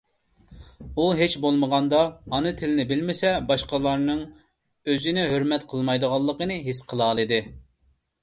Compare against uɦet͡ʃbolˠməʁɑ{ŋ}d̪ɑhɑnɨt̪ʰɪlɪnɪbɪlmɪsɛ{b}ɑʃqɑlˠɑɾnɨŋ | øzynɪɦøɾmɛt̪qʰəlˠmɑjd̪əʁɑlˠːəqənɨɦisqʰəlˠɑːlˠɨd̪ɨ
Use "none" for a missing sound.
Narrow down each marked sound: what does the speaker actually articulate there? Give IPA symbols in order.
n, b

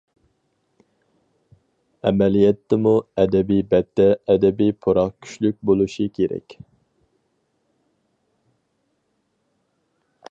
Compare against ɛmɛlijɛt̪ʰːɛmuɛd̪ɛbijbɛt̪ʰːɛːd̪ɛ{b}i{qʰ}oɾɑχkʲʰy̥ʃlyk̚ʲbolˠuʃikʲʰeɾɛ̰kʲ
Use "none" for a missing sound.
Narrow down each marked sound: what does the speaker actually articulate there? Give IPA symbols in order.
b, pʰ

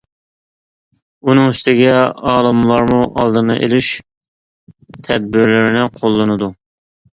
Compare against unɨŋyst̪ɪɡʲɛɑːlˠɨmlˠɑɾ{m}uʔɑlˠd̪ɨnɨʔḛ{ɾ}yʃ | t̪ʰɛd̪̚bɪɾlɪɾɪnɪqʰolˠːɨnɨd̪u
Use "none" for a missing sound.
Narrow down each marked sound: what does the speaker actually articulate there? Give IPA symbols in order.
m, l

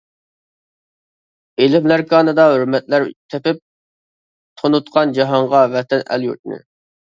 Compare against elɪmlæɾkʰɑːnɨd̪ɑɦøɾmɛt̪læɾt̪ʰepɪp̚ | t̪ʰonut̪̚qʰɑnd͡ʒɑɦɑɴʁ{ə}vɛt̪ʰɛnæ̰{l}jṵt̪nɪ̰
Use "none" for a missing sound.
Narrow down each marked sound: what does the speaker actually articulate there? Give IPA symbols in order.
ɑ, l

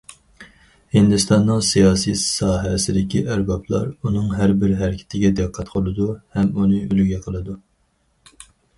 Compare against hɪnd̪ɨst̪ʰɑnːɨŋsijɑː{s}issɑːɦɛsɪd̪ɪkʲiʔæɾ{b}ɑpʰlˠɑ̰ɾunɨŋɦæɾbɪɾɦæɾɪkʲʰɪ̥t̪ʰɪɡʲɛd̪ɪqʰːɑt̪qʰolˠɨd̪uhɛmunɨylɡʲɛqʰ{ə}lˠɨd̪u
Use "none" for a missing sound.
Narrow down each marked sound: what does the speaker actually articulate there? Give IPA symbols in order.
s, b, ə

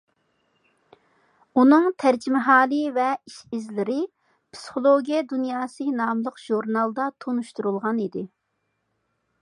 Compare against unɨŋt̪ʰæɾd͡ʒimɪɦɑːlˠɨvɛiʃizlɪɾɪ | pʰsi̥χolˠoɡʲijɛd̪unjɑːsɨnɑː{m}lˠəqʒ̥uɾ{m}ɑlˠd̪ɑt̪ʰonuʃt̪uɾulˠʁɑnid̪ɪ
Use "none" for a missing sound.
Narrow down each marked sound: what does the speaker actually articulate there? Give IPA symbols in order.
m, n

